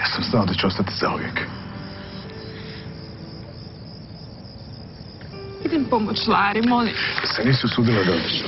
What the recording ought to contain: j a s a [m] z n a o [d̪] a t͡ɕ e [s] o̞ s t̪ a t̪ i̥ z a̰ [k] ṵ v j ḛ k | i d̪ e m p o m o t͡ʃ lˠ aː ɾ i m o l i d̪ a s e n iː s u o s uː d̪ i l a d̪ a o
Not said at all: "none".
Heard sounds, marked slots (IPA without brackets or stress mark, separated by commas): m, d̪, none, none